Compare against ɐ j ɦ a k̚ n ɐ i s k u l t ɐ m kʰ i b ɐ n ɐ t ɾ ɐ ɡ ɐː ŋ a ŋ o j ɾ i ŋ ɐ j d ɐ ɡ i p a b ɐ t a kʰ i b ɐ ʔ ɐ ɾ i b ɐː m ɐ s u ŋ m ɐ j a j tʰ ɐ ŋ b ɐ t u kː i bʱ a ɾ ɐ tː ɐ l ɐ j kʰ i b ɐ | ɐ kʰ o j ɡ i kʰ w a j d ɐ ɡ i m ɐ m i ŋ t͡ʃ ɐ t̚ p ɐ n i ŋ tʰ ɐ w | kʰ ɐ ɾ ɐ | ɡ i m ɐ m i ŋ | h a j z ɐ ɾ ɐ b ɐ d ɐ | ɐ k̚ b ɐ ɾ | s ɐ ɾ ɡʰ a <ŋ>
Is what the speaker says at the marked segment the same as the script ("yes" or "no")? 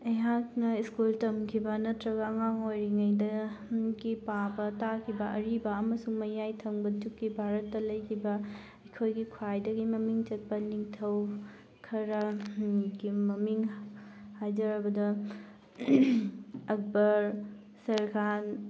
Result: no